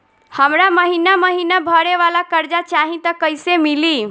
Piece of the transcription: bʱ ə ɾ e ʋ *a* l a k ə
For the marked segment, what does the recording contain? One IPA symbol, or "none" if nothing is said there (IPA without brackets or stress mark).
a